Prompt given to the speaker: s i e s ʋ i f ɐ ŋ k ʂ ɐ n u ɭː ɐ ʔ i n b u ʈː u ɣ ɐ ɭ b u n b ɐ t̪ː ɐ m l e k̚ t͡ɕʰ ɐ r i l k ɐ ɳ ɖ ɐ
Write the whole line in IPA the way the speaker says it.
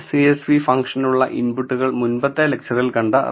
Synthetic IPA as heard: s i e s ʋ i f ɐ ŋ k ʂ ɐ n u ɭː ɐ ʔ i n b u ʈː u ɣ ɐ ɭ m u n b ɐ t̪ː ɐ l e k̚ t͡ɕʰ ɐ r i l k ɐ ɳ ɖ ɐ